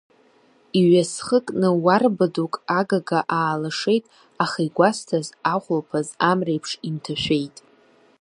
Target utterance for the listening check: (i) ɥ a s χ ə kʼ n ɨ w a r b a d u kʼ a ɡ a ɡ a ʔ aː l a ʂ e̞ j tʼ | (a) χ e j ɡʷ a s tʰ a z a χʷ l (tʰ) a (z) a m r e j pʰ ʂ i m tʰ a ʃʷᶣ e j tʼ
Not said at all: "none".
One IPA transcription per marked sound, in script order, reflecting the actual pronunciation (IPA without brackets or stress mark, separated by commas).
i, a, pʰ, z